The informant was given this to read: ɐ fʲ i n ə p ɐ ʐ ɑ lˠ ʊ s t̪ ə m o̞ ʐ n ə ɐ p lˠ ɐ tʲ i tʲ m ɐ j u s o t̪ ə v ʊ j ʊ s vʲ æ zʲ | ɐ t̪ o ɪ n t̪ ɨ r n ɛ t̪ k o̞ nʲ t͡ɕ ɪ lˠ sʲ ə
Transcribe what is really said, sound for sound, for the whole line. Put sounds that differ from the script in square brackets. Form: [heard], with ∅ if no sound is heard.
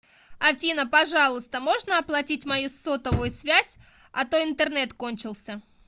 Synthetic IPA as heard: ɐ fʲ i n ə p ɐ ʐ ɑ lˠ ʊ s t̪ ə m o̞ ʐ n ə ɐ p lˠ ɐ tʲ i tʲ m ɐ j u s o t̪ ə v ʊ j ʊ s vʲ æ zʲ | ɐ t̪ o ɪ n t̪ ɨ r n ɛ t̪ k o̞ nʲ t͡ɕ ɪ lˠ sʲ ə